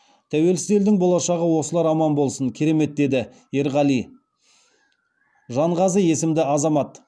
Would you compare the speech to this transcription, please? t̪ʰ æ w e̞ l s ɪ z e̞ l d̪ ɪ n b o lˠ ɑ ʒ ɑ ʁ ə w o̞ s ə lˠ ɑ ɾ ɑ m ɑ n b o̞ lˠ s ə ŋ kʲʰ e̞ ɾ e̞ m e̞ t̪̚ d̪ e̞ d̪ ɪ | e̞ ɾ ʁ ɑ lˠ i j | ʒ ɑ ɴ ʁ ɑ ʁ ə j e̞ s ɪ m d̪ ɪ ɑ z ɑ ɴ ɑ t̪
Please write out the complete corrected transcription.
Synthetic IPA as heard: t̪ʰ æ w e̞ l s ɪ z e̞ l d̪ ɪ ŋ b o lˠ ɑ ʃ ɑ ʁ ə w o̞ s ə lˠ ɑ ɾ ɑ m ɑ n b o̞ lˠ s ə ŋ kʲʰ e̞ ɾ e̞ m e̞ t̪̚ d̪ e̞ d̪ ɪ | e̞ ɾ ʁ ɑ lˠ i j | ʒ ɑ ɴ ʁ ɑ z ə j e̞ s ɪ m d̪ ɪ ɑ z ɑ m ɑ t̪

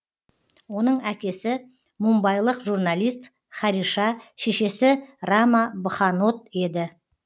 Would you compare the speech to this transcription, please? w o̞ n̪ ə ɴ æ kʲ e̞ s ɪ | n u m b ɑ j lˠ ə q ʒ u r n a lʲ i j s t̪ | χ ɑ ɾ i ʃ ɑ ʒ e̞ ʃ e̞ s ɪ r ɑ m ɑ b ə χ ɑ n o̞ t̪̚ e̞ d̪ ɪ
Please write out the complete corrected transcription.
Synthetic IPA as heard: w o̞ n̪ ə ɴ æ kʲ e̞ s ɪ | m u m b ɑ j lˠ ə q ʒ u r n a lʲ i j s t̪ | χ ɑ ɾ i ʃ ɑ ʃ e̞ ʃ e̞ s ɪ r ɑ m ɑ b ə χ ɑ n o̞ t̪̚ e̞ d̪ ɪ

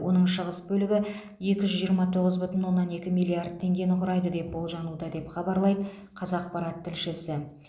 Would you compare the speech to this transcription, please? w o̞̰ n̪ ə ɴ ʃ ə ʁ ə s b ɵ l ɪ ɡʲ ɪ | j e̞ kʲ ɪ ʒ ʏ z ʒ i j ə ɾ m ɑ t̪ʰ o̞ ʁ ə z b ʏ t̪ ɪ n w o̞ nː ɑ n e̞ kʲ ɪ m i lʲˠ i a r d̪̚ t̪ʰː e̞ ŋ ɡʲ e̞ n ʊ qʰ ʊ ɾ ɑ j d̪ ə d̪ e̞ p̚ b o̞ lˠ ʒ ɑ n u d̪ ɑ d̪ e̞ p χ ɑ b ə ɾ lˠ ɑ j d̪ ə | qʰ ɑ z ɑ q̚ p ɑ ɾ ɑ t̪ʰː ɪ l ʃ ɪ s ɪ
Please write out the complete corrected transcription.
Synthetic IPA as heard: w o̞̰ n̪ ə ɴ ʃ ə ʁ ə s b ɵ l ɪ ɡʲ ɪ | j e̞ kʲ ɪ ʒ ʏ z ʒ i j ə ɾ m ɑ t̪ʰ o̞ ʁ ə z b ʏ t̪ ɪ n w o̞ nː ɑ n e̞ kʲ ɪ m i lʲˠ i a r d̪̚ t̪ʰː e̞ ŋ ɡʲ e̞ n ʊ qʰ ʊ ɾ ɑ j d̪ ə d̪ e̞ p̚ b o̞ lˠ ʒ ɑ n u d̪ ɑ d̪ e̞ p χ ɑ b ɑ ɾ lˠ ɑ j d̪ ə | qʰ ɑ z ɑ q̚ p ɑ ɾ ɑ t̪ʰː ɪ l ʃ ɪ s ɪ

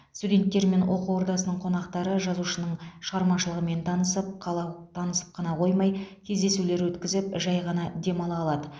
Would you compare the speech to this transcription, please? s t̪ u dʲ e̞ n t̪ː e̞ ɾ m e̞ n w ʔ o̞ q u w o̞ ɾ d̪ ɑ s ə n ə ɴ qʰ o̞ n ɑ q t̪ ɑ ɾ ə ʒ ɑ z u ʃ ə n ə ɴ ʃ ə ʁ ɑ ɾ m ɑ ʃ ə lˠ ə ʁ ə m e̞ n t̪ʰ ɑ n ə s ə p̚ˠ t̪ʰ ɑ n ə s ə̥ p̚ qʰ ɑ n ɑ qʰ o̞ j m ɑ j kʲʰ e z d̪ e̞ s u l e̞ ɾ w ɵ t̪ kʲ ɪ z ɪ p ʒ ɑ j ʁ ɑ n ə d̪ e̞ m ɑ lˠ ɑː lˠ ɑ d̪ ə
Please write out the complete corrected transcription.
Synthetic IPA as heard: s t̪ u dʲ e̞ n t̪ː e̞ ɾ m e̞ n w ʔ o̞ q u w o̞ ɾ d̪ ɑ s ə n ə ɴ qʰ o̞ n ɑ q t̪ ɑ ɾ ə ʒ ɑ z u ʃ ə n ə ɴ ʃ ə ʁ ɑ ɾ m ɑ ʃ ə lˠ ə ʁ ə m e̞ n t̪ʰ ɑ n ə s ə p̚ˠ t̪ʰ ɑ n ə s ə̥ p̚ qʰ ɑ n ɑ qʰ o̞ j m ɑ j kʲʰ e z d̪ e̞ s u l e̞ ɾ w ɵ t̪ kʲ ɪ z ɪ p ʒ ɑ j ʁ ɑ n ɑ d̪ e̞ m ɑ lˠ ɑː lˠ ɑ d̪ ə

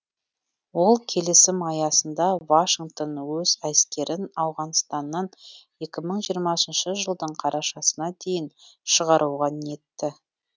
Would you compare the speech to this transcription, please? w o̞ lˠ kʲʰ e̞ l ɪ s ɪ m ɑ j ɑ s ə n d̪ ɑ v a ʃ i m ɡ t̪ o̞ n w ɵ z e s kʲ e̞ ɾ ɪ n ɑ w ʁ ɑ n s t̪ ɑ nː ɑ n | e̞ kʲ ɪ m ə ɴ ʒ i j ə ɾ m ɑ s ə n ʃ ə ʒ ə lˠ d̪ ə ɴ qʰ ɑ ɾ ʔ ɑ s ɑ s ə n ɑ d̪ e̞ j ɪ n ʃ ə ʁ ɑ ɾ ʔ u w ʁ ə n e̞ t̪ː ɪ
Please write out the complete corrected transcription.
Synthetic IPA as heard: w o̞ lˠ kʲʰ e̞ l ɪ s ɪ m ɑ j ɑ s ə n d̪ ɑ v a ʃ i ŋ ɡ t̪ o̞ n w ɵ z æ s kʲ e̞ ɾ ɪ n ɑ w ʁ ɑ n s t̪ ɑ nː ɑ n | e̞ kʲ ɪ m ə ɴ ʒ i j ə ɾ m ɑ s ə n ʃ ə ʒ ə lˠ d̪ ə ɴ qʰ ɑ ɾ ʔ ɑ ʃ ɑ s ə n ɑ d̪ e̞ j ɪ n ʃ ə ʁ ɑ ɾ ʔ u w ʁ ɑ n e̞ t̪ː ɪ

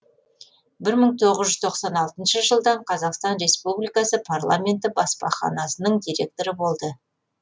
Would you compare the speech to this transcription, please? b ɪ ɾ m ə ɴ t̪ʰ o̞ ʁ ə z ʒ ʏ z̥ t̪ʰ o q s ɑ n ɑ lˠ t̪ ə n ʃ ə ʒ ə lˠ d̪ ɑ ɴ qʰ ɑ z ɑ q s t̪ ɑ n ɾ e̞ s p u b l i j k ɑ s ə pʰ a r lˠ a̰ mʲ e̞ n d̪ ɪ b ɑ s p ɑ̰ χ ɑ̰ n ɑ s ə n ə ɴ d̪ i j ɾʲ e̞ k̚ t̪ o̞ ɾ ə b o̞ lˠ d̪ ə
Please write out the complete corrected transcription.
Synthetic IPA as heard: b ɪ ɾ m ə ɴ t̪ʰ o̞ ʁ ə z ʒ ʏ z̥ t̪ʰ o q s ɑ n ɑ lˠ t̪ ə n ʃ ə ʒ ə lˠ d̪ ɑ ɴ qʰ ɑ z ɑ q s t̪ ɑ n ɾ e̞ s p u b l i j k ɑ s ə pʰ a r lˠ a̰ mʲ e̞ n t̪ ɪ b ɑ s p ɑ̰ χ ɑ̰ n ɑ s ə n ə ɴ d̪ i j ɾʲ e̞ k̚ t̪ o̞ ɾ ə b o̞ lˠ d̪ ə

